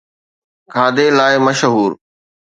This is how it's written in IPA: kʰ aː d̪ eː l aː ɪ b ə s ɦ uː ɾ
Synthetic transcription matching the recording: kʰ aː d̪ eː l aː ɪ m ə ʃ ɦ uː ɾ